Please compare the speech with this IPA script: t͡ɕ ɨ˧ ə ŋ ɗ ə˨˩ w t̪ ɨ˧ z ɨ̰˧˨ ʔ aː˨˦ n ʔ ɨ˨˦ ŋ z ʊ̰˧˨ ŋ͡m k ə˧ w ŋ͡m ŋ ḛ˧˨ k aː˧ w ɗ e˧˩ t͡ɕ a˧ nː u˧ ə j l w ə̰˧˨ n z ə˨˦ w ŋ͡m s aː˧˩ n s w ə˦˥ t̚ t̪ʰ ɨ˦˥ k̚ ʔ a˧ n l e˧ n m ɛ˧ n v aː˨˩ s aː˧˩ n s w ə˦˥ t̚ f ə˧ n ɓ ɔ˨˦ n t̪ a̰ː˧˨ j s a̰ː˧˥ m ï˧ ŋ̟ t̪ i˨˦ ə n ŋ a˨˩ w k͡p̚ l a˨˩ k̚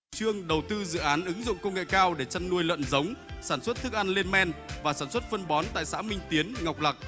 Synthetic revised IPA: t͡ɕ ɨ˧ ə ŋ ɗ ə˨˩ w t̪ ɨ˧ z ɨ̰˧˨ ʔ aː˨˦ n ʔ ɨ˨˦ ŋ z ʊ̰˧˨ ŋ͡m k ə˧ w ŋ͡m ŋ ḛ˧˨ k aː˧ w ɗ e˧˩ t͡ɕ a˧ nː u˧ ə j l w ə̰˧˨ n z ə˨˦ w ŋ͡m s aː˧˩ n s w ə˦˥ t̚ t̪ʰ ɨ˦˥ k̚ ʔ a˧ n l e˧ n m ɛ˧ n v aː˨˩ s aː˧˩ n s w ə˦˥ t̚ f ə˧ n ɓ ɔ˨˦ n t̪ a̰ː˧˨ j s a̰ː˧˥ m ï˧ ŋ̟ t̪ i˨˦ ə n ŋ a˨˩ w k͡p̚ l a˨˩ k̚